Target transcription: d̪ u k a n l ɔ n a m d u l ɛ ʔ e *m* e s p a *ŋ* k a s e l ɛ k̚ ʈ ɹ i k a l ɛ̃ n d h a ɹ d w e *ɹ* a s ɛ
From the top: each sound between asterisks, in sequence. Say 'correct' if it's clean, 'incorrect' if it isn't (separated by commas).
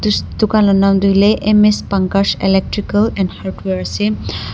correct, correct, correct